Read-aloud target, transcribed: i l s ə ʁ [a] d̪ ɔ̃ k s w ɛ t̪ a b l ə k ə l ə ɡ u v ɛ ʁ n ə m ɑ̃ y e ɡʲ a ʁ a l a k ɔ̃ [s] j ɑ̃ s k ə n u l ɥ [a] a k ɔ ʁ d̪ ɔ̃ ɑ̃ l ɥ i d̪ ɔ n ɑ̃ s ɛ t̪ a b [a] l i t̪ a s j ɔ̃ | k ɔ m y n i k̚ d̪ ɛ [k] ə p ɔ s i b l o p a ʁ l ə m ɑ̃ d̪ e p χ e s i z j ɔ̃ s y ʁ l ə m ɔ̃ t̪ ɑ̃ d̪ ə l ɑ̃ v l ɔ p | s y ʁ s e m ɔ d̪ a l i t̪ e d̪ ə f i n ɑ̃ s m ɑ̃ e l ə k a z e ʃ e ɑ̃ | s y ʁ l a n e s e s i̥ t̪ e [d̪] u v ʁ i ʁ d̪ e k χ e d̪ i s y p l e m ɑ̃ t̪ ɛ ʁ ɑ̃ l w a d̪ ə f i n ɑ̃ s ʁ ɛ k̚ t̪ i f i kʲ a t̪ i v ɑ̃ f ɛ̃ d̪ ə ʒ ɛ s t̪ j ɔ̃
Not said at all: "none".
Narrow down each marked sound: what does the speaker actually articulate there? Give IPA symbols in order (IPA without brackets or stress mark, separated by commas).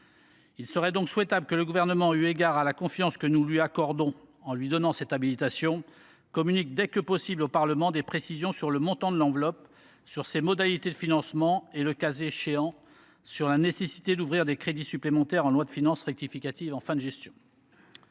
ɛ, f, i, i, k, d̪